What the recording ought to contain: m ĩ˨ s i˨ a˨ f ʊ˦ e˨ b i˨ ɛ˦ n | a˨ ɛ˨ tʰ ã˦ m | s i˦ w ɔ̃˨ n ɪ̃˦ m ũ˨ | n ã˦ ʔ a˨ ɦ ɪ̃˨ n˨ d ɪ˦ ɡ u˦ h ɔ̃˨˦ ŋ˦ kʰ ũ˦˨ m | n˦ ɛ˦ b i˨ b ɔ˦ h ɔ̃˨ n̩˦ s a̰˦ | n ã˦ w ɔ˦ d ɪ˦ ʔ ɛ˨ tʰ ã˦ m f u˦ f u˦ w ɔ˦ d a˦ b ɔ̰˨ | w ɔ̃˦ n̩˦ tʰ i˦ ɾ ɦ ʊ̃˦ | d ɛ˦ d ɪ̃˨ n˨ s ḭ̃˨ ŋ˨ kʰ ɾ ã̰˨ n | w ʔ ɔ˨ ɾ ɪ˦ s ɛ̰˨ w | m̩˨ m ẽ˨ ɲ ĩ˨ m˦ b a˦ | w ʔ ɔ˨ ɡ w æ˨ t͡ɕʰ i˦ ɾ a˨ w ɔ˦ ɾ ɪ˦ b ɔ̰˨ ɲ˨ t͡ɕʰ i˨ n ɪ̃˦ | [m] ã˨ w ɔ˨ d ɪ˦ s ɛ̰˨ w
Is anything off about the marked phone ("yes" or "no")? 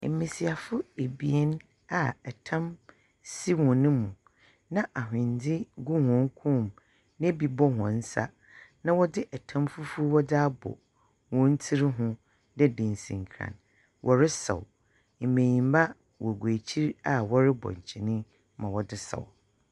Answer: no